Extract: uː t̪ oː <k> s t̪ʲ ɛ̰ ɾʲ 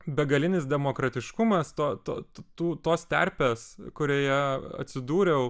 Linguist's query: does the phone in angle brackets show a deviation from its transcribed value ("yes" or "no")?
yes